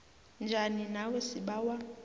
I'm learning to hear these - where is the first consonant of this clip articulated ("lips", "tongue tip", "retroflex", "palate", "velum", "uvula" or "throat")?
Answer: tongue tip